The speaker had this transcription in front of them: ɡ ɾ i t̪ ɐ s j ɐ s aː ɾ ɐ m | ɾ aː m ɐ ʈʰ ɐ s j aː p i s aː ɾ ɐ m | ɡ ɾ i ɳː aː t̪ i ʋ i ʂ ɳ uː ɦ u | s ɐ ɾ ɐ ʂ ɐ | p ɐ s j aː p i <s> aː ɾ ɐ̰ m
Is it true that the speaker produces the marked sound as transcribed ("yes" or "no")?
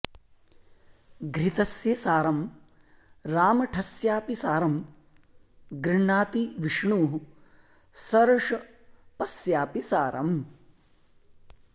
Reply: yes